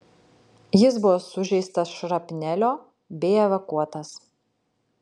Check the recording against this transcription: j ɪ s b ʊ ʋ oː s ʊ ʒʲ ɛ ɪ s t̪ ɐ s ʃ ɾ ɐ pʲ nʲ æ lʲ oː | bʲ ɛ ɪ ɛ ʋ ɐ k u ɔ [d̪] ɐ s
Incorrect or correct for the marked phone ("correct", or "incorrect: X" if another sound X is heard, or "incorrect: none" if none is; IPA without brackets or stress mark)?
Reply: incorrect: t̪